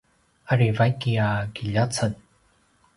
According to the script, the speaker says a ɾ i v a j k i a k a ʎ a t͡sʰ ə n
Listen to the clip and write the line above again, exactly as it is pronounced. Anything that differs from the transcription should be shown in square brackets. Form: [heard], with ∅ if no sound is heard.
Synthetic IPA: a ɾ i v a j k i a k [i] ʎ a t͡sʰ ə n